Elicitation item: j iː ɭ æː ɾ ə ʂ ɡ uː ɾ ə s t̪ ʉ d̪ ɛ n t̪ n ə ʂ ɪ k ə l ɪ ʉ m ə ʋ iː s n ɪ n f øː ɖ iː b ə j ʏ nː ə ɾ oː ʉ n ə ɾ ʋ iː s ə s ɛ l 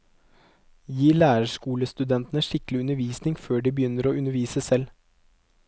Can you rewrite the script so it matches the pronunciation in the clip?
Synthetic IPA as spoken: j iː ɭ æː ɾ ə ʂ k uː l ə s t̪ ʉ d̪ ɛ n t̪ n ə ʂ ɪ k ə l ɪ ʉ n ə ʋ iː s n ɪ ŋ f øː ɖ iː b ə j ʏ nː ə ɾ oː ʉ n ə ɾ ʋ iː s ə s ɛ l